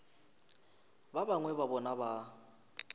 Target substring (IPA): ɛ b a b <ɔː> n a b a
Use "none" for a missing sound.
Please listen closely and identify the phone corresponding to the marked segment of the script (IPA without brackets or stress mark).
ɔ